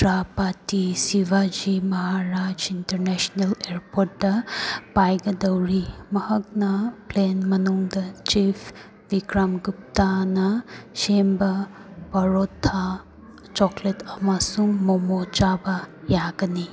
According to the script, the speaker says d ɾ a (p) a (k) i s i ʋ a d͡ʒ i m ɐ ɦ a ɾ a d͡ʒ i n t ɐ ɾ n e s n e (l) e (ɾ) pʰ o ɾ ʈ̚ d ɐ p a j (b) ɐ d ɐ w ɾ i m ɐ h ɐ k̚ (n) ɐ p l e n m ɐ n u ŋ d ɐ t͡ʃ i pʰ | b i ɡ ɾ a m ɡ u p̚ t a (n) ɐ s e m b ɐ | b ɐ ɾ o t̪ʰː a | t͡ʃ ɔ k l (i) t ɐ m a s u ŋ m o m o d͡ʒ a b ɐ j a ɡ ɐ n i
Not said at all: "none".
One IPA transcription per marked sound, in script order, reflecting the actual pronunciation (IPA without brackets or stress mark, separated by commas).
p, t, l, ɾ, ɡ, n, n, e